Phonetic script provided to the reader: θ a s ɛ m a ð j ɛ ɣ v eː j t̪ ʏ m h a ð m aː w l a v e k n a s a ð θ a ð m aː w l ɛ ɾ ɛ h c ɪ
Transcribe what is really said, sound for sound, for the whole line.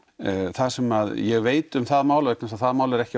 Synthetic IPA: θ a s ɛ m a ð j ɛ ɣ v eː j t̪ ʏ m θ a ð m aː w l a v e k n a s a ð θ a ð m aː w l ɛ ɾ ɛ h c ɪ